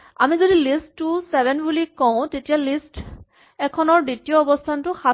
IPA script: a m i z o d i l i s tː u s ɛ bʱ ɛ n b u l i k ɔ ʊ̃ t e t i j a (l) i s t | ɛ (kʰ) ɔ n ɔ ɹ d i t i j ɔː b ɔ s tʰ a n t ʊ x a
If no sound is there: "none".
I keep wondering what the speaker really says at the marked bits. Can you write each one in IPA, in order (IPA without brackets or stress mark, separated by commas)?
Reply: l, kʰ